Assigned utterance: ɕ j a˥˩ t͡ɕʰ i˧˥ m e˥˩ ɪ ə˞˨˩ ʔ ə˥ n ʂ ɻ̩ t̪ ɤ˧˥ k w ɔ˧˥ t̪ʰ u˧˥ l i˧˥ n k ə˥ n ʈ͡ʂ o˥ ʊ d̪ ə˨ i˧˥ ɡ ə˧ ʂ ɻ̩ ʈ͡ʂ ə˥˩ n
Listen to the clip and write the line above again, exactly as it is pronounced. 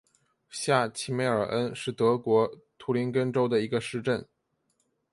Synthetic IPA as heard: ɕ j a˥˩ t͡ɕʰ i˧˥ m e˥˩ ɪ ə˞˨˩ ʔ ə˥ n ʂ ɻ̩ t̪ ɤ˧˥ k w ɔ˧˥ t̪ʰ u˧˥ l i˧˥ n k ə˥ n ʈ͡ʂ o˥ ʊ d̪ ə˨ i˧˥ ɡ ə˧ ʂ ɻ̩ ʈ͡ʂ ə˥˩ n